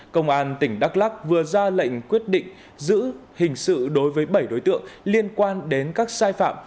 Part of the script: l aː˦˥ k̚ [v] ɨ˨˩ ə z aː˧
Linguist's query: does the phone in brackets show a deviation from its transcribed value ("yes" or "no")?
no